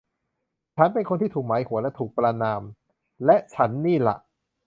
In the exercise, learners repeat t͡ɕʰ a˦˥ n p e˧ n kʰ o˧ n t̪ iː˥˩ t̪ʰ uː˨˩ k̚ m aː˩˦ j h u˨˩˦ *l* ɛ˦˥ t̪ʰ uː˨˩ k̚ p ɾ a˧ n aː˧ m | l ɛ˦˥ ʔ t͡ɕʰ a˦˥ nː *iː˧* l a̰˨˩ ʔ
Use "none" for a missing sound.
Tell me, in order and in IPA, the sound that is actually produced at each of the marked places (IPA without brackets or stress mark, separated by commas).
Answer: l, iː˥˩